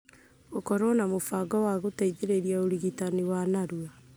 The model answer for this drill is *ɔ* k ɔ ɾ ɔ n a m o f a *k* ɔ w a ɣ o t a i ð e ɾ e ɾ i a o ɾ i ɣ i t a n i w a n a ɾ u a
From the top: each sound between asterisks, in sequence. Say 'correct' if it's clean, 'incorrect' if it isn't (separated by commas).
incorrect, incorrect